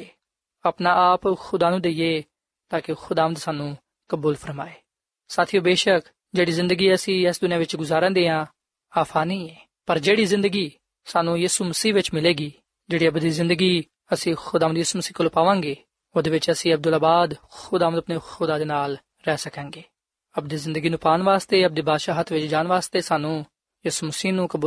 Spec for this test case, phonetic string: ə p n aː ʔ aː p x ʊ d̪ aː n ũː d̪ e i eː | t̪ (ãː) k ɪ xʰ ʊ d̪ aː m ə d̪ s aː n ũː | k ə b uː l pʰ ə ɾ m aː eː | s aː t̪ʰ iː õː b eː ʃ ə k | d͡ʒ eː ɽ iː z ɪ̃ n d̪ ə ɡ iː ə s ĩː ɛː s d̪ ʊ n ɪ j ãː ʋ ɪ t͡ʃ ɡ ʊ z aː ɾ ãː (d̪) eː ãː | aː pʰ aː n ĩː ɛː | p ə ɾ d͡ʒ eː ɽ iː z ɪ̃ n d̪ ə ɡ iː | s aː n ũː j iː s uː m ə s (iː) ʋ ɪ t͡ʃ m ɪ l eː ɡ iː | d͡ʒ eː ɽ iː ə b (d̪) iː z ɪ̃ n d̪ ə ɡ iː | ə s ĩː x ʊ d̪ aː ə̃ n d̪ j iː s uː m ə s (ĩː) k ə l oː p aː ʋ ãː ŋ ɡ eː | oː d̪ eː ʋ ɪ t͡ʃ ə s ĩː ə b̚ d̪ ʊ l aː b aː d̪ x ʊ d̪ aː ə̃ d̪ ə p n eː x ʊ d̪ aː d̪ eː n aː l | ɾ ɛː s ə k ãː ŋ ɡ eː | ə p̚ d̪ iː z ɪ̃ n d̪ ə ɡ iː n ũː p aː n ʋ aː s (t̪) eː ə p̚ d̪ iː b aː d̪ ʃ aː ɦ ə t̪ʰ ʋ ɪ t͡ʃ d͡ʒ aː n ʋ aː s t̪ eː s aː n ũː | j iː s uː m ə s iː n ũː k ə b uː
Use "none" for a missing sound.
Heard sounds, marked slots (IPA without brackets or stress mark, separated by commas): aː, d̪, iː, d̪, iː, t̪